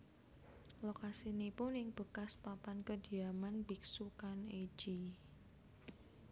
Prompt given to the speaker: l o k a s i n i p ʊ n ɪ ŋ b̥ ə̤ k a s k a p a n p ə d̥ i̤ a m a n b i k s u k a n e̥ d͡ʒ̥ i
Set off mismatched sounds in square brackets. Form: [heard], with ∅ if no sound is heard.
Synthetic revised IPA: l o k a s i n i p ʊ n ɪ ŋ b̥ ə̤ k a s [p] a p a n [k] ə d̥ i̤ a m a n b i k s u k a n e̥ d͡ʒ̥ i